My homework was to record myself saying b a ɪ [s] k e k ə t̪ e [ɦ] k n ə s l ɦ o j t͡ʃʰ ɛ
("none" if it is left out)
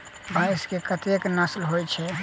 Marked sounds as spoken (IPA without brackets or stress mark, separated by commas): s, none